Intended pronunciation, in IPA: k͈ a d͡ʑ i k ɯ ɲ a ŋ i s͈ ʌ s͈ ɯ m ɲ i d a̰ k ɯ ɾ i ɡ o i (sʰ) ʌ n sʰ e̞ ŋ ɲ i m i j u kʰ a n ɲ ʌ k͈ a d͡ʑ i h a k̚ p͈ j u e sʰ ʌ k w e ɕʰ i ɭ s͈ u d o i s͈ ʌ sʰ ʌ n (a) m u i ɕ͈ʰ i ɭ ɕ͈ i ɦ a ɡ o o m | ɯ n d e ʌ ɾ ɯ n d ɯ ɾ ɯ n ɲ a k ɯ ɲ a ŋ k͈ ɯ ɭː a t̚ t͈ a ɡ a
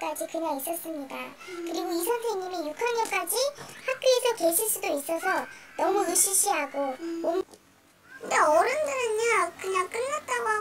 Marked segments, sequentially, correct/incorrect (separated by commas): correct, incorrect